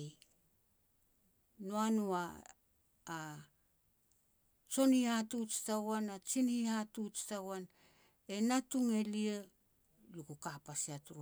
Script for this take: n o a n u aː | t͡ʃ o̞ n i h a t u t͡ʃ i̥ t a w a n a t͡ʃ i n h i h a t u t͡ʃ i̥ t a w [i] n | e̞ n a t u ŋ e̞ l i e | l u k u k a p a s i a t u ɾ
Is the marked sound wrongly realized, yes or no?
yes